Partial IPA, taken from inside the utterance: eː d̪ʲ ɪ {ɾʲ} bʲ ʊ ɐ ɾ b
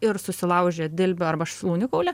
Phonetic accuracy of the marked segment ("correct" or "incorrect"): incorrect